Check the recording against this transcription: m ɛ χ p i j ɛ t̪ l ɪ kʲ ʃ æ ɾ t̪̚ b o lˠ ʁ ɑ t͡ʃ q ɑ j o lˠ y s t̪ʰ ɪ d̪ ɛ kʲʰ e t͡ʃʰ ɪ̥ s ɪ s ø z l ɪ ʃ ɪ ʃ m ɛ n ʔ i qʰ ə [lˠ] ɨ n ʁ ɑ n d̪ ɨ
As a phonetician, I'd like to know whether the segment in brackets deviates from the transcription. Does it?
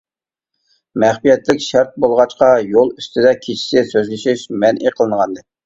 no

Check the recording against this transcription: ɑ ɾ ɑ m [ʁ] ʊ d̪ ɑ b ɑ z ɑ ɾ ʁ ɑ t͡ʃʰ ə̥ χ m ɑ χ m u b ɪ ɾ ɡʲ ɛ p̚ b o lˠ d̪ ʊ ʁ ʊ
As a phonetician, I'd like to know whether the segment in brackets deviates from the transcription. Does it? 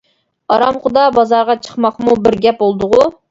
yes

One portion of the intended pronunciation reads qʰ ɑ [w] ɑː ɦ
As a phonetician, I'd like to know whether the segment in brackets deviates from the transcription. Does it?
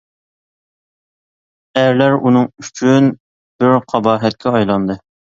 yes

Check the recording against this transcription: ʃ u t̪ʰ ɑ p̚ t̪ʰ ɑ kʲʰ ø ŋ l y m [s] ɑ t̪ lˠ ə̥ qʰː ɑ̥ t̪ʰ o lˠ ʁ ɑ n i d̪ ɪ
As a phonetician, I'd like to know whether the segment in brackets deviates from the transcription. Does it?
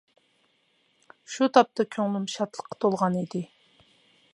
yes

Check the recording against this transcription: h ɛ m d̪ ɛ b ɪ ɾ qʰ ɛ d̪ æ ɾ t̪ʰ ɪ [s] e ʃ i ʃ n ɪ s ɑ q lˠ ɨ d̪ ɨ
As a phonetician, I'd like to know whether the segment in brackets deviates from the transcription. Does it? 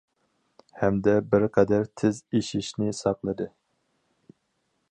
yes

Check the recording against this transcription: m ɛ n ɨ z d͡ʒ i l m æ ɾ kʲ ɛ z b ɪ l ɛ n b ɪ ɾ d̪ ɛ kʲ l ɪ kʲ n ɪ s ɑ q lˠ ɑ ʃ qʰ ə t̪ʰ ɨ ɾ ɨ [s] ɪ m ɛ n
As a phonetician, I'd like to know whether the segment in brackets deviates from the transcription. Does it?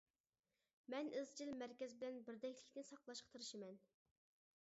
yes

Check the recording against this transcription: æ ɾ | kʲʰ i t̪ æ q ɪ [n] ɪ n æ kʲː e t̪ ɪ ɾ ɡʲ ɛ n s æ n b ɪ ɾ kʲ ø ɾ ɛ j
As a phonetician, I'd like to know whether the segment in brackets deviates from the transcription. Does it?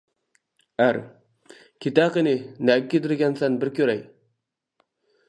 no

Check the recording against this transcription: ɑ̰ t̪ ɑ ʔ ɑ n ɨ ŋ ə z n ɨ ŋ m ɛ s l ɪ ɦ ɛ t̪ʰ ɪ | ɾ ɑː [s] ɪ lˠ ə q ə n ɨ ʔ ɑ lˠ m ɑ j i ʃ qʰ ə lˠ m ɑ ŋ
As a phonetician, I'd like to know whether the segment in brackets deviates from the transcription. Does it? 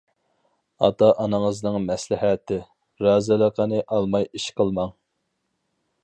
yes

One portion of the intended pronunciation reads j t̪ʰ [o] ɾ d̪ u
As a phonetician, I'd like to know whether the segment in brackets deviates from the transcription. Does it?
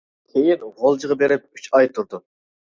yes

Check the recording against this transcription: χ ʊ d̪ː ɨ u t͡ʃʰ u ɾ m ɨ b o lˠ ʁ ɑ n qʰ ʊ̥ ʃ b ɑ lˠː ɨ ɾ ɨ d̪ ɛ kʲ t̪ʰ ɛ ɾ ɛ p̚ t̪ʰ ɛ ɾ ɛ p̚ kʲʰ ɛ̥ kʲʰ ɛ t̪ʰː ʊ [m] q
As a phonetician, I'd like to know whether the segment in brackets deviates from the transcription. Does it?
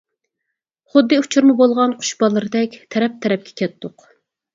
yes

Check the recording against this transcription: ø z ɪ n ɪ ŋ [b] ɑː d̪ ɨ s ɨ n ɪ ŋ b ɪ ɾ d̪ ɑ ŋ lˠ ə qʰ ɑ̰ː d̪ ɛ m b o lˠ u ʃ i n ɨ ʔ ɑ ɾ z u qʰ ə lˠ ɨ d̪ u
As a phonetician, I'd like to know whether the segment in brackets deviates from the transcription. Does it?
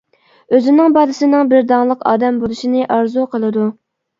no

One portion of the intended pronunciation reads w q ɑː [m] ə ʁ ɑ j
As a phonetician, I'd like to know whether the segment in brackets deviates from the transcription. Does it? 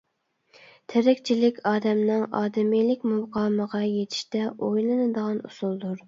no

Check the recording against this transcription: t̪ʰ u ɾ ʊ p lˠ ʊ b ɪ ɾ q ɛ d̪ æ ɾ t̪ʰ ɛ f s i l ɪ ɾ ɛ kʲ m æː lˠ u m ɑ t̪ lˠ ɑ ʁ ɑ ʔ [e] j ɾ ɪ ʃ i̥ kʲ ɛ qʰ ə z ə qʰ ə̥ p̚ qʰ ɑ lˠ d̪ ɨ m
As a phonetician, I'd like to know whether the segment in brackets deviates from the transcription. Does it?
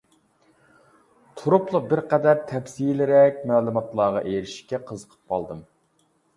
no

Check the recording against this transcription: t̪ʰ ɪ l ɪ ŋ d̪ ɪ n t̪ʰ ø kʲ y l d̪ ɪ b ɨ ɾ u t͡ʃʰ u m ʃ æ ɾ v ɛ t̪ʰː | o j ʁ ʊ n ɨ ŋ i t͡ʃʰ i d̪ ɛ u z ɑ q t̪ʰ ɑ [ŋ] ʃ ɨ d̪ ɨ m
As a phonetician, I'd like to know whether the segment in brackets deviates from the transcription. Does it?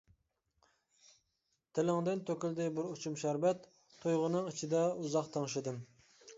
no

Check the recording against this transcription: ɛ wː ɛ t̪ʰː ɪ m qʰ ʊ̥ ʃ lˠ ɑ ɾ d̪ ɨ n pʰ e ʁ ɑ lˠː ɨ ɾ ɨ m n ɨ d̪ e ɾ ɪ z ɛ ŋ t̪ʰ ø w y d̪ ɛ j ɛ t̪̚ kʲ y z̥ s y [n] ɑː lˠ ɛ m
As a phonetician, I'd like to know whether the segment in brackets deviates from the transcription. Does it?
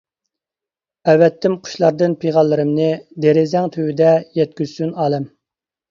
no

